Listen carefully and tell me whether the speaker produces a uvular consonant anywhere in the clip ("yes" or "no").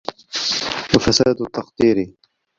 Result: yes